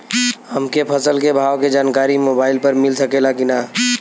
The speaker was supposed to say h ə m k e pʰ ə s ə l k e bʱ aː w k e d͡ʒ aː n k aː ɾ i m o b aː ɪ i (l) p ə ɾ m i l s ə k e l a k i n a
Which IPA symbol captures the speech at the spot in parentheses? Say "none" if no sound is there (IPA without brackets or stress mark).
l